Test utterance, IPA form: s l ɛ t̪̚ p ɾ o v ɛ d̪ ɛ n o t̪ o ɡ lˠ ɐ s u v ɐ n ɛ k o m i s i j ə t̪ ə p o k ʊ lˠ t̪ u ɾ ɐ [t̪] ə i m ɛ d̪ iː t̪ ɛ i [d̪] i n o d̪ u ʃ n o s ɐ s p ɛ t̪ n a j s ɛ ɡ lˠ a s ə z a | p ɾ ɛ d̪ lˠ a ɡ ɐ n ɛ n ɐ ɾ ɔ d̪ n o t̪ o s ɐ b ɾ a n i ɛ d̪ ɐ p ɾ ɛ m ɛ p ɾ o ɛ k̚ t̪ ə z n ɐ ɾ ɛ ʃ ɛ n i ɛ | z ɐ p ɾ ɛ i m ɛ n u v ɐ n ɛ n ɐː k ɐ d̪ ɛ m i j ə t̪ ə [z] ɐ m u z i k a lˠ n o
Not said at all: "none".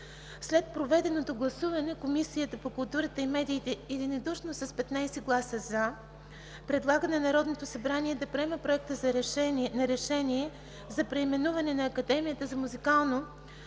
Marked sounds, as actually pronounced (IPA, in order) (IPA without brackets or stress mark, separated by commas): t̪, d̪, z